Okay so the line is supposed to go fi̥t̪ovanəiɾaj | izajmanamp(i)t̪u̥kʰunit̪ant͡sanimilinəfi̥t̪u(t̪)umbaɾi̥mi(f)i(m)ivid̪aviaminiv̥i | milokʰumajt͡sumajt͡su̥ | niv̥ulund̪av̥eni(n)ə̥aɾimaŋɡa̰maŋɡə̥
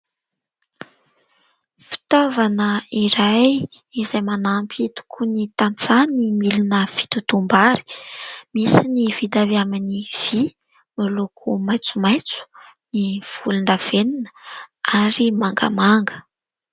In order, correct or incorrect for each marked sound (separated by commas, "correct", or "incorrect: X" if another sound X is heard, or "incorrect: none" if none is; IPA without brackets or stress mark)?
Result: correct, correct, incorrect: s, incorrect: n, correct